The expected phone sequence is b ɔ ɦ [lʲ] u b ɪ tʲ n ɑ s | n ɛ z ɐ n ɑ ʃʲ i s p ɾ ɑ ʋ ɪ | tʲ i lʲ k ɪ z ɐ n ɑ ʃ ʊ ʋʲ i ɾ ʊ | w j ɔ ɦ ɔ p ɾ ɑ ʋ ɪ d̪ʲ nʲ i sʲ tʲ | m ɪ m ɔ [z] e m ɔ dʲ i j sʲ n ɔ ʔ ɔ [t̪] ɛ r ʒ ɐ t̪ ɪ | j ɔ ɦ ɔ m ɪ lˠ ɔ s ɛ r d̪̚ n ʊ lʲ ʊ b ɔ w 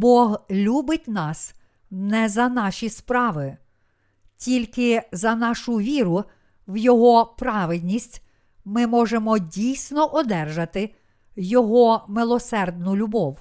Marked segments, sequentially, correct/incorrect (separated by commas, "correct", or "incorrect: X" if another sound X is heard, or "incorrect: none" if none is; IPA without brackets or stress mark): correct, incorrect: ʒ, incorrect: d̪